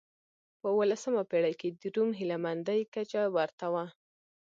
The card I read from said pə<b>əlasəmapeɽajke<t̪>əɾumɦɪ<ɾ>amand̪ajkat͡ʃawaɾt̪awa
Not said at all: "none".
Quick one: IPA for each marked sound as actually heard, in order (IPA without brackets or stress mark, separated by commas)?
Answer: w, d̪, l